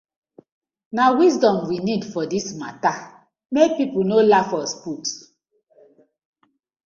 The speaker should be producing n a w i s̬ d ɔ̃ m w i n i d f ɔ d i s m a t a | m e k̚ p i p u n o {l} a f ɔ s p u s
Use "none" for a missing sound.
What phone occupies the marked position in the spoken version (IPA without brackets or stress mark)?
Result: l